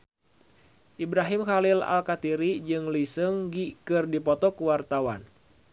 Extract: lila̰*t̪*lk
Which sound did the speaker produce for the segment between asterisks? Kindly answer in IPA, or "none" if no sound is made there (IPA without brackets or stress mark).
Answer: none